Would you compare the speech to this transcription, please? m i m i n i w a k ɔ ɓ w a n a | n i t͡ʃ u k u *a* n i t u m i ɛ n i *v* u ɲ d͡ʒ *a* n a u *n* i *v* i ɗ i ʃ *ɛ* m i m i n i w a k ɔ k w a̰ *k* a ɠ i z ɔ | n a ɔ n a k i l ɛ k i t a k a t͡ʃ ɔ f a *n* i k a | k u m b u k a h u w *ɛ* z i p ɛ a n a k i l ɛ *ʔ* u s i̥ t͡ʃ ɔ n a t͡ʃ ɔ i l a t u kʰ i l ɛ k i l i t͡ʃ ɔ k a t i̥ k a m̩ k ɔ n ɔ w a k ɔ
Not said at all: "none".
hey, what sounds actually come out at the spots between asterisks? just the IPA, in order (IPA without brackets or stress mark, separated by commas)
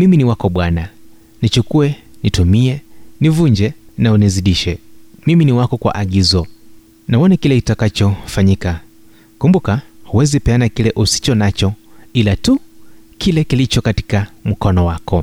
ɛ, v, ɛ, n, z, ɛ, ʔ, ɲ, ɛ, ʔ